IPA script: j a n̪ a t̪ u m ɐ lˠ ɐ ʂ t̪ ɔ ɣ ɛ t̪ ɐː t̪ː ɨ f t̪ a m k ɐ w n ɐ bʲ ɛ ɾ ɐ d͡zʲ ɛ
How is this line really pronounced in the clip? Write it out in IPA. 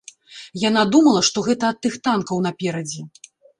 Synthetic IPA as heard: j a n̪ a d̪ u m ɐ lˠ ɐ ʂ t̪ ɔ ɣ ɛ t̪ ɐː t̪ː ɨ x t̪ a n k ɐ w n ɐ pʲ ɛ ɾ ɐ d͡zʲ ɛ